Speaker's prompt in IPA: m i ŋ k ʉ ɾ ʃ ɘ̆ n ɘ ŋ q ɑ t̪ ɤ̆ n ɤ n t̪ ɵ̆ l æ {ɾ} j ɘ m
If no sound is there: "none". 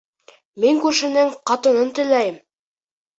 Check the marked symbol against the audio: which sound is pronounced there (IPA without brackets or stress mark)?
none